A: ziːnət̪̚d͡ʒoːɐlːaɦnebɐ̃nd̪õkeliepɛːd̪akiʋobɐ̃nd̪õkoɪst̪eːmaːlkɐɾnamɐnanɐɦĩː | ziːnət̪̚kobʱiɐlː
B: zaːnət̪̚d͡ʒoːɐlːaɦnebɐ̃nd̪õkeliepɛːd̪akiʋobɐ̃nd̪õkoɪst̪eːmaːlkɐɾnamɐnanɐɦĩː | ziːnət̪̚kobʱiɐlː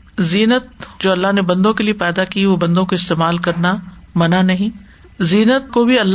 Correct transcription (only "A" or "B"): A